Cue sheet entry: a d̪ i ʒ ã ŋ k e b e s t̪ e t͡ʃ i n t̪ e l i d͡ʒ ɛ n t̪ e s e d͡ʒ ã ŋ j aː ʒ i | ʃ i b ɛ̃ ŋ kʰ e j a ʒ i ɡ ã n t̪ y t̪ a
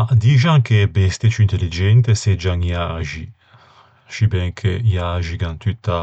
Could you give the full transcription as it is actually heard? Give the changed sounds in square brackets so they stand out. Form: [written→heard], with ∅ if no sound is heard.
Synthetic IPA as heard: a d̪ i ʒ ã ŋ k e b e s t̪ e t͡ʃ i n t̪ e l i d͡ʒ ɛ n t̪ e s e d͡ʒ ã ŋ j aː ʒ i | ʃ i b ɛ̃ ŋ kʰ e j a ʒ i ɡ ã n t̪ y t̪ a